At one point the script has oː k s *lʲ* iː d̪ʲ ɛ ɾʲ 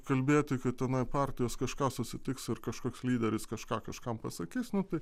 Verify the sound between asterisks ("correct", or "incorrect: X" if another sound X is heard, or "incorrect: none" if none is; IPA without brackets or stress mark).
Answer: correct